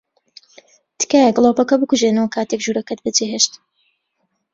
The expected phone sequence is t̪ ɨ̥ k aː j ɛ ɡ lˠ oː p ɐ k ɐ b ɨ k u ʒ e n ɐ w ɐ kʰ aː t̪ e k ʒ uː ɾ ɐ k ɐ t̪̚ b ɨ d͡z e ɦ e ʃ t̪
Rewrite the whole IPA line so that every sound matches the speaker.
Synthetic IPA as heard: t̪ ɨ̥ k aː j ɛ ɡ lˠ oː p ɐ k ɐ b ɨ k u ʒ e n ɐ w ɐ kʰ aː t̪ e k ʒ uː ɾ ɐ k ɐ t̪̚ b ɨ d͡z e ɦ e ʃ t̪